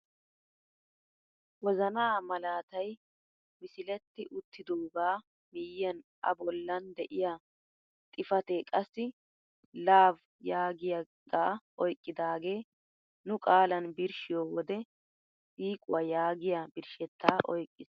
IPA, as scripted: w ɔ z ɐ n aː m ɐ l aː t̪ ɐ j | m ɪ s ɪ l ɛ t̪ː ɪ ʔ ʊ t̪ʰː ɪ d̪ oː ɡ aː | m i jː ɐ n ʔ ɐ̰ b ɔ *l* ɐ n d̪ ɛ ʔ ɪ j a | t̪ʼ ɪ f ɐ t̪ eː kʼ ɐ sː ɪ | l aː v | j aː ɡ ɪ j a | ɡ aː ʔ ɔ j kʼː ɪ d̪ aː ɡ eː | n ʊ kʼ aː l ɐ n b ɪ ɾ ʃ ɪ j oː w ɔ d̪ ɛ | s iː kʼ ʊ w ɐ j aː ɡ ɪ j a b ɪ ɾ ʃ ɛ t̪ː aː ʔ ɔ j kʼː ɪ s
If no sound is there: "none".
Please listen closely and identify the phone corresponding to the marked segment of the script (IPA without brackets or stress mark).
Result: lː